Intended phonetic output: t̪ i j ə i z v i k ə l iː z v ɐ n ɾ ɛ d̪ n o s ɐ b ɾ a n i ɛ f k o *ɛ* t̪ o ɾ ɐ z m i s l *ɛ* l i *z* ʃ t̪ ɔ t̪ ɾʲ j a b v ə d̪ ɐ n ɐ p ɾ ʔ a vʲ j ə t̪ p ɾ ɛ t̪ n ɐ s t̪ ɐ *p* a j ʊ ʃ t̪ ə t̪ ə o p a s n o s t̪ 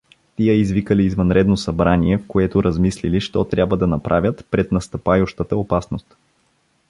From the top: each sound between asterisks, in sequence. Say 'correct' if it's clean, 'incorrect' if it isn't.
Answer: correct, incorrect, incorrect, correct

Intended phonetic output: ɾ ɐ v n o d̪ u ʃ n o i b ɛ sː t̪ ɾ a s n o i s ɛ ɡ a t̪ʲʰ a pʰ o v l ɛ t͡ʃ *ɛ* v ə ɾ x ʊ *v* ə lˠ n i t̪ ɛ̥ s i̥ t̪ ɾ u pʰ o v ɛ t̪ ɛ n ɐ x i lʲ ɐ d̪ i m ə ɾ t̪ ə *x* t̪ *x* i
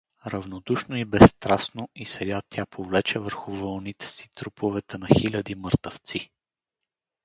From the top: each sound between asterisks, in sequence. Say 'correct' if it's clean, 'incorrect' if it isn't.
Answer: correct, correct, incorrect, incorrect

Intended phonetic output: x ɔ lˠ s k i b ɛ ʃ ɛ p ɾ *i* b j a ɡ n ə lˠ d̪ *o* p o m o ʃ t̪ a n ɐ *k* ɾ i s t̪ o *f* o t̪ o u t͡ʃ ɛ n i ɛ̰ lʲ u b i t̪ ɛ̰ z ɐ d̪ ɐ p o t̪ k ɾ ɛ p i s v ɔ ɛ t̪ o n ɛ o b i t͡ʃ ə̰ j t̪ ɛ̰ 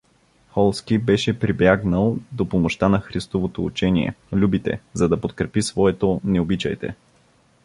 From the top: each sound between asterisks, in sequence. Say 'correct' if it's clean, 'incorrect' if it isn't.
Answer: correct, correct, incorrect, incorrect

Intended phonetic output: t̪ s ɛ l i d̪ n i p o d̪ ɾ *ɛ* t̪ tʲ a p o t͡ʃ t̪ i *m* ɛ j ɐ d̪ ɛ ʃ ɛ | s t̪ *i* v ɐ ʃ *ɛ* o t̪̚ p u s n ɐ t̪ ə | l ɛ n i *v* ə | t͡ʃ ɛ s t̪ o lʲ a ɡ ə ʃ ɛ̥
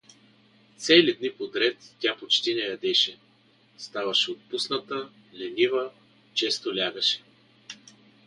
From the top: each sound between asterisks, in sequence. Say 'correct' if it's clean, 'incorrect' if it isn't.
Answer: correct, incorrect, incorrect, correct, correct

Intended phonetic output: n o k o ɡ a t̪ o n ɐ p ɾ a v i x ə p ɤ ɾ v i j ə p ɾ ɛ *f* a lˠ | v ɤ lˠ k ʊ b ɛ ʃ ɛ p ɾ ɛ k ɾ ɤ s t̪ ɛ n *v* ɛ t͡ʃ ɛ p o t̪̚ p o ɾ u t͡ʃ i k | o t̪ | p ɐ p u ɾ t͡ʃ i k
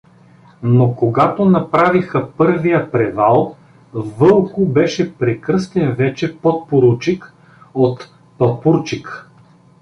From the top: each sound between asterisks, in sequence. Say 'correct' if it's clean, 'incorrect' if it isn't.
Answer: incorrect, correct

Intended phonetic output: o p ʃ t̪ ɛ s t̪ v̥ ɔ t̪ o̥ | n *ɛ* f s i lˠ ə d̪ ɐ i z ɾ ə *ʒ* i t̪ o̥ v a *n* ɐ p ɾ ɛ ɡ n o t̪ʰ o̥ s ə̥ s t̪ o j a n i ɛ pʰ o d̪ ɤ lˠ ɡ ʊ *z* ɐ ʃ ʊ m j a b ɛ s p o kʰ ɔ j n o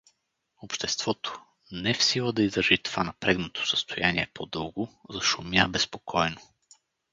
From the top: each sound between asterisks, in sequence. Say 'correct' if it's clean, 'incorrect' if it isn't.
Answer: correct, correct, correct, correct

